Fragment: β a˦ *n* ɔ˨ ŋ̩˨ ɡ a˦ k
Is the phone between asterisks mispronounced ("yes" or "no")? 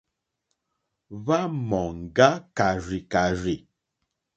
yes